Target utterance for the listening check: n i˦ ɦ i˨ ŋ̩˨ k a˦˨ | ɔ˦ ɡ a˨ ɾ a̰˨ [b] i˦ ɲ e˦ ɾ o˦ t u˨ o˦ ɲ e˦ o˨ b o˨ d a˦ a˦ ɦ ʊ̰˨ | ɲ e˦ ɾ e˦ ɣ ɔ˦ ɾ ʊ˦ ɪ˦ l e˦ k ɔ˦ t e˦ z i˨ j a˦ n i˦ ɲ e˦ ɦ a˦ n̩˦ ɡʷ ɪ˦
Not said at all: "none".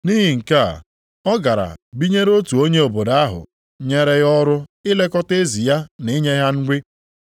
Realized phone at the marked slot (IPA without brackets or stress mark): b